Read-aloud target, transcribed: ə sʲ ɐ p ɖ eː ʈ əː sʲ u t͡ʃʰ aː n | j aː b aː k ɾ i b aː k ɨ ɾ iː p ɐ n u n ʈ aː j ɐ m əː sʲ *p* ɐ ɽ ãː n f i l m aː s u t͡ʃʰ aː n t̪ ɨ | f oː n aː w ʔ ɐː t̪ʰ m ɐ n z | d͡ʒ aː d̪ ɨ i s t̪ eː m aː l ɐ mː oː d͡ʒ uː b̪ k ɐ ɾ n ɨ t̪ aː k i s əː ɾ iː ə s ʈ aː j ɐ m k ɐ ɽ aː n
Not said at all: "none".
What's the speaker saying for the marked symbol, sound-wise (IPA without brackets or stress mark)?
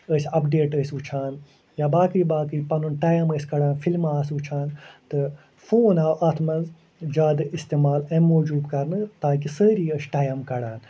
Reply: k